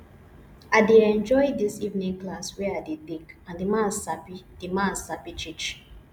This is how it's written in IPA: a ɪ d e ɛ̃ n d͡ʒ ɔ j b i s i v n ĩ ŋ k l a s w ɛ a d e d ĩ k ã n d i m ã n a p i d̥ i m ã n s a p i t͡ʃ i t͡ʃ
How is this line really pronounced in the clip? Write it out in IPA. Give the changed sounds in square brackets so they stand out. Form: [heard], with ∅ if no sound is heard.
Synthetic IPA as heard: a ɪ d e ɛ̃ n d͡ʒ ɔ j [d] i s i v n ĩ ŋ k l a s w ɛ a d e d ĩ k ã n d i m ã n a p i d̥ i m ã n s a p i t͡ʃ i t͡ʃ